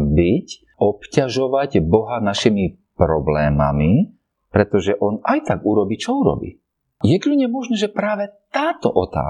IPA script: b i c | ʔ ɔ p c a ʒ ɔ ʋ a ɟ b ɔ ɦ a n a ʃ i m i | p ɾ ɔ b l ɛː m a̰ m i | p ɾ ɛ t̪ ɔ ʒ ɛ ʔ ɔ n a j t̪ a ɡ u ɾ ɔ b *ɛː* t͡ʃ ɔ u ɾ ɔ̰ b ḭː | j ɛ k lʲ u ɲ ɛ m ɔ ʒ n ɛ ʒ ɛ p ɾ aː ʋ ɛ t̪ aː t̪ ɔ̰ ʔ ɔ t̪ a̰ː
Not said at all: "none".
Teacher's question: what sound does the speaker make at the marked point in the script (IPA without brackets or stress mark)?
iː